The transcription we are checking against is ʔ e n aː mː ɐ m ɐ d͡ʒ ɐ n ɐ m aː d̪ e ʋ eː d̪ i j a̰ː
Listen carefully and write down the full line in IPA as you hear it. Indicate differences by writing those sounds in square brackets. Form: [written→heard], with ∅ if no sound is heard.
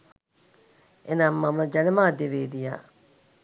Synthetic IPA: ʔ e n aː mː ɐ m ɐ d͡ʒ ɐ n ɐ m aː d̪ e ʋ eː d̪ i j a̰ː